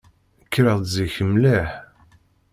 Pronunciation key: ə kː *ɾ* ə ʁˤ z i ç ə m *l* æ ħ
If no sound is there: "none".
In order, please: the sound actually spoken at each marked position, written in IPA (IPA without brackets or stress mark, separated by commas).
ɾ, l